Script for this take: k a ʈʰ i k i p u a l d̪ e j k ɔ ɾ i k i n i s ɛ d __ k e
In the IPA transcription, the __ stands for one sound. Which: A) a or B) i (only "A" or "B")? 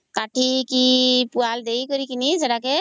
A